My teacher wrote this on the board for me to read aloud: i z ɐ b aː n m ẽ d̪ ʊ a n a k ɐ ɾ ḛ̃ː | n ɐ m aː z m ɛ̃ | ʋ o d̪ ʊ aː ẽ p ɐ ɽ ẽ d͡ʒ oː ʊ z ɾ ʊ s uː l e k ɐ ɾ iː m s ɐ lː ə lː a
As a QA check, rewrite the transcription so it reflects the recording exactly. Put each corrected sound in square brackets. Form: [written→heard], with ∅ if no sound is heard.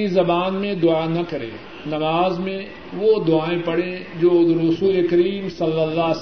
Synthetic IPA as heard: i z ɐ b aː n m ẽ d̪ ʊ a n [a→ɐ] k ɐ ɾ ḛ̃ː | n ɐ m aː z m [ɛ̃→ẽ] | ʋ o d̪ ʊ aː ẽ p ɐ ɽ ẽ d͡ʒ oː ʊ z ɾ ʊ s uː l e k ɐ ɾ iː m s ɐ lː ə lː a